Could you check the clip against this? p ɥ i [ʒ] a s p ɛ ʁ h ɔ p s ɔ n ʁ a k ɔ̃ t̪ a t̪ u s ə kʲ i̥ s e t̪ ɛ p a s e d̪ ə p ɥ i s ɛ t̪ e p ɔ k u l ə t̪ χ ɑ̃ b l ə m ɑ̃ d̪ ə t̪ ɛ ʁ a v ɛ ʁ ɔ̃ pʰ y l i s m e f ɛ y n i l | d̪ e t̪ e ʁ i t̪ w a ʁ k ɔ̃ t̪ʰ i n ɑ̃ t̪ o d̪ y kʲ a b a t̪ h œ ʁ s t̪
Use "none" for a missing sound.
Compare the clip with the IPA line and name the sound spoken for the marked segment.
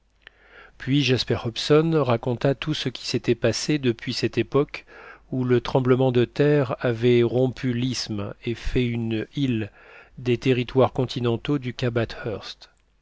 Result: ʒ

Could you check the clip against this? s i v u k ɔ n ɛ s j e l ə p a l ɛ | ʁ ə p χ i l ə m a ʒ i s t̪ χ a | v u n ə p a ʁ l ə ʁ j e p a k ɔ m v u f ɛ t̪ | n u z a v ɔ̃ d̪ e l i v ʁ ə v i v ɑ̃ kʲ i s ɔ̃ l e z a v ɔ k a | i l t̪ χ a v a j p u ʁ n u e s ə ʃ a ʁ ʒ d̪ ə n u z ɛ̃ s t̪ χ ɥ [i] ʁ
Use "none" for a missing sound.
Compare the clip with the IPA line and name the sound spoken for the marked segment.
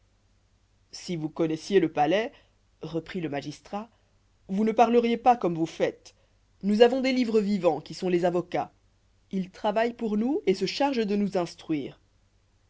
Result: iː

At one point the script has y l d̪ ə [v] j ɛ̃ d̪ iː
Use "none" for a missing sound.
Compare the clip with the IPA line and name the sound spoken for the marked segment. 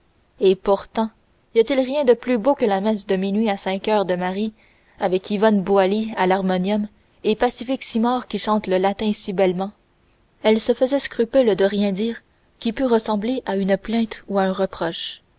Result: ʁ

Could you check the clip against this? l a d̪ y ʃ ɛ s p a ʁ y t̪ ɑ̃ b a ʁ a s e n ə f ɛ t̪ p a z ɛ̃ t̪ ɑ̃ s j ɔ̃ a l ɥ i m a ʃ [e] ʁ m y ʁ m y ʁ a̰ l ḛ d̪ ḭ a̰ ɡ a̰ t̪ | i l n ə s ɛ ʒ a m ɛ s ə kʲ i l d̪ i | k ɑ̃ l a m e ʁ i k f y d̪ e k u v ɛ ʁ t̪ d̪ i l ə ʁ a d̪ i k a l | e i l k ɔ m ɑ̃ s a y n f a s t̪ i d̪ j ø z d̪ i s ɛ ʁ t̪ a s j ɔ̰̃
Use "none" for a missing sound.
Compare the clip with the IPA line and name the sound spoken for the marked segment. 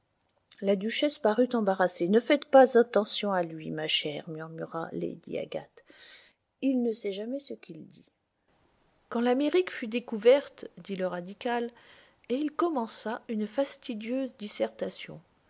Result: ɛ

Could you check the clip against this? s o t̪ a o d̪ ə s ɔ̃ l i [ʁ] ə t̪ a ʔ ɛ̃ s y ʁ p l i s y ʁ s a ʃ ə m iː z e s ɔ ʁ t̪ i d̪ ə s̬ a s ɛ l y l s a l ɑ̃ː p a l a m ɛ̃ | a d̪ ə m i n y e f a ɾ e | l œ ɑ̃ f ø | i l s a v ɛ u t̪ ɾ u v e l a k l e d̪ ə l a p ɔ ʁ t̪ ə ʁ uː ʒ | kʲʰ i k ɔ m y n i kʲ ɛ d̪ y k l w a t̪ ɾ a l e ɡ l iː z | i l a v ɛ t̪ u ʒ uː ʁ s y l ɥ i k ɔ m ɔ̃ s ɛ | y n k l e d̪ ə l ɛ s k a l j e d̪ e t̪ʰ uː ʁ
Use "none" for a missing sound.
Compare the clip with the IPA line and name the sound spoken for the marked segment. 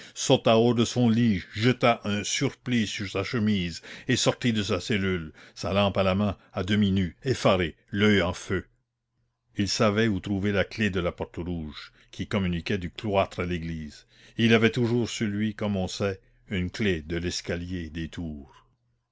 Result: ʒ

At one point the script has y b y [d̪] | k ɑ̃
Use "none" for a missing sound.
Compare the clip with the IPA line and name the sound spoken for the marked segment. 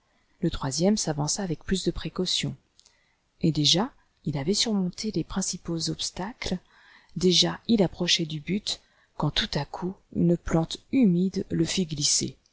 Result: t̪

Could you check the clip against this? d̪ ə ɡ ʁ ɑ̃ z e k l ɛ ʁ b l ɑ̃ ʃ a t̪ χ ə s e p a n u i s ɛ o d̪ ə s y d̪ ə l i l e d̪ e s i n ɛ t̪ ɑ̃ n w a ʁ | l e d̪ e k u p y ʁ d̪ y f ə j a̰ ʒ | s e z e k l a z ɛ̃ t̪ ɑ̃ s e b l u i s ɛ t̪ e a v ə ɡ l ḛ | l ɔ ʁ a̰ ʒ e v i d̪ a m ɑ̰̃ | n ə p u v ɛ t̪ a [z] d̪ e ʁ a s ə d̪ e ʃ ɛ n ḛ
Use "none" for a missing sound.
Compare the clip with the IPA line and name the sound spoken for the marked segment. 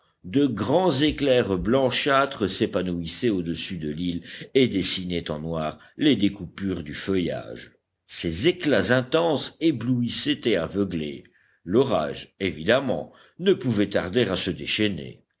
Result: ʁ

